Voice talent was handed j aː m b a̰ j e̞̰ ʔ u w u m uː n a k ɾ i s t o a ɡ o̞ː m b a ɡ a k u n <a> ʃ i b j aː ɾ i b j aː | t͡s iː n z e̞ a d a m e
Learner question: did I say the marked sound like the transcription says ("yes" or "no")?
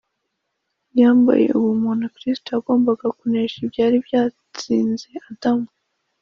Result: no